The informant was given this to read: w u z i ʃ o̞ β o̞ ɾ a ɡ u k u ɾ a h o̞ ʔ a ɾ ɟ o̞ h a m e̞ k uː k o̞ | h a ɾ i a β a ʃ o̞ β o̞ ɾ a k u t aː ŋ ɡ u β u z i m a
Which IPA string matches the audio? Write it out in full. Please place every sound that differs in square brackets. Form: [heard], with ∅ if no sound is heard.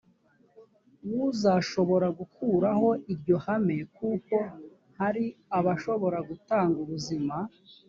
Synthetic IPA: w u z [a] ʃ o̞ β o̞ ɾ a ɡ u k u ɾ a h o̞ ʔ [i] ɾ ɟ o̞ h a m e̞ k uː k o̞ | h a ɾ i a β a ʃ o̞ β o̞ ɾ a [ɡ] u t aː ŋ ɡ u β u z i m a

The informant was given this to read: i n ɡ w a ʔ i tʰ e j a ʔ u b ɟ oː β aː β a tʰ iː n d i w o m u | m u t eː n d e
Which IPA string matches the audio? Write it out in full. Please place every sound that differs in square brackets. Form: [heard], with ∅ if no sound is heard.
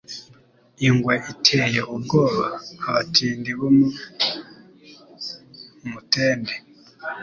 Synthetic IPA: i [ŋ] ɡ w a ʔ i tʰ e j [e] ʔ u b [ɡ] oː β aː β a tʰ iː n d i [β] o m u | m u t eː n d e

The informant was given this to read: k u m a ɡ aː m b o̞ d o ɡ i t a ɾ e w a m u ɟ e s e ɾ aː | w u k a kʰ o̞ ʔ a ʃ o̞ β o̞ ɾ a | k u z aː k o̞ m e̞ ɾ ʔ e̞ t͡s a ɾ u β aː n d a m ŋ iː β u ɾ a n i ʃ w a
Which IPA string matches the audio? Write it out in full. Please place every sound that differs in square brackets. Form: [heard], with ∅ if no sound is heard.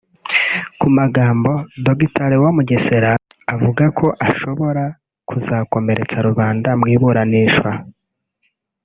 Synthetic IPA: k u m a ɡ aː m b o̞ d o ɡ i t a ɾ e w a m u ɟ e s e ɾ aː | [v] u [ɡ] a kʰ o̞ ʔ a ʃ o̞ β o̞ ɾ a | k u z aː k o̞ m e̞ ɾ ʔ e̞ t͡s a ɾ u β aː n d a m ŋ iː β u ɾ a n i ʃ w a

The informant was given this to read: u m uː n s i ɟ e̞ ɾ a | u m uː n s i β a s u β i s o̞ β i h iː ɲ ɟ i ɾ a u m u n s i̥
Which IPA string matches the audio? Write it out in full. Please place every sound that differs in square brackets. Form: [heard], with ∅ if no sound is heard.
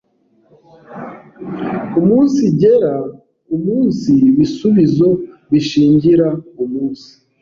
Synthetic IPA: u m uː n s i ɟ e̞ ɾ a | u m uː n s i β [i] s u β i [z] o̞ β i [ʃ] iː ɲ ɟ i ɾ a u m [uː] n s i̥

